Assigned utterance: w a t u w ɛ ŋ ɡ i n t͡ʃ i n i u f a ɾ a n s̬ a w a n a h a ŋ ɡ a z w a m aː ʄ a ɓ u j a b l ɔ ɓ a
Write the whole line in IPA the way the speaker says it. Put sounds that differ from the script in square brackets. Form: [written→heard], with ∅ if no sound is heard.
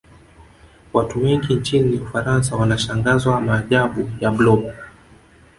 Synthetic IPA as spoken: w a t u w ɛ ŋ ɡ i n t͡ʃ i n i u f a ɾ a n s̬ a w a n a [h→ʃ] a ŋ ɡ a z w a m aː ʄ a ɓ u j a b l ɔ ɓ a